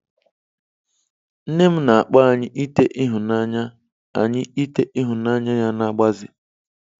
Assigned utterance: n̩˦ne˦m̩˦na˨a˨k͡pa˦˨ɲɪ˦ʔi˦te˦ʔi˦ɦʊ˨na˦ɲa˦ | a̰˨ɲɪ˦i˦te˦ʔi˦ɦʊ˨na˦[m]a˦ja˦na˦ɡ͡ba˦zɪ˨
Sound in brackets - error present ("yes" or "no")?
yes